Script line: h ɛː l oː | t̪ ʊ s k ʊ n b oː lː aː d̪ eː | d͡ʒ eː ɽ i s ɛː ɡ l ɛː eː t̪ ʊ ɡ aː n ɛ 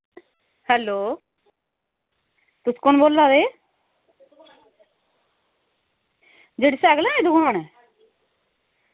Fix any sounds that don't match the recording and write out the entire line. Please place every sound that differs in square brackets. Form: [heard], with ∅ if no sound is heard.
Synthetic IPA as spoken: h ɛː l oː | t̪ ʊ s k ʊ n b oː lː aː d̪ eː | d͡ʒ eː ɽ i s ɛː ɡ l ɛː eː [d̪] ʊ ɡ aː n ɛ